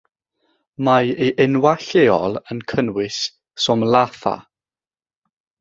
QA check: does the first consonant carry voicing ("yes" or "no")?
yes